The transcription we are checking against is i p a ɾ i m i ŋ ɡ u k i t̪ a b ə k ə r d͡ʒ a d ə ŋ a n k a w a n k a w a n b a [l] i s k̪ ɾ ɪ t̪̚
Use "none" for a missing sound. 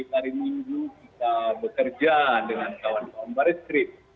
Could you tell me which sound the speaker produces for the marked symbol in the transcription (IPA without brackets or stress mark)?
ɾ